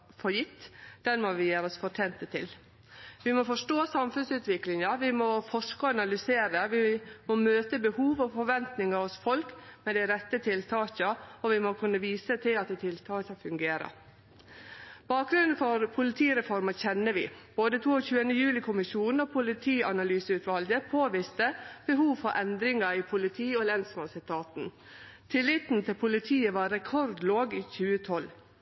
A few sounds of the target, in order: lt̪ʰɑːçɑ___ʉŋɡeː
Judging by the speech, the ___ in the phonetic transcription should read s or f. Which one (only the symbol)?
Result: f